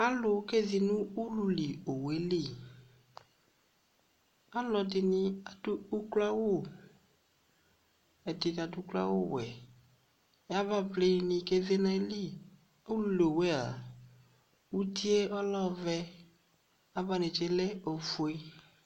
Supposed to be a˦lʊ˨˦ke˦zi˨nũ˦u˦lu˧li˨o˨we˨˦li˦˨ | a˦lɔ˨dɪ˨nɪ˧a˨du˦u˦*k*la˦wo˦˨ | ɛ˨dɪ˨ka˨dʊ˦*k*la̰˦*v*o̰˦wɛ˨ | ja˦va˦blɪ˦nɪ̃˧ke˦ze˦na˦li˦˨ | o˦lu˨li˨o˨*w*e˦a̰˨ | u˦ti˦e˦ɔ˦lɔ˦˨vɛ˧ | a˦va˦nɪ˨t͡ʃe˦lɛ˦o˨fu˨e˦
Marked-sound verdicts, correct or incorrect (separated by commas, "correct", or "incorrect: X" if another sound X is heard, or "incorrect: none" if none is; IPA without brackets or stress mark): correct, correct, incorrect: w, correct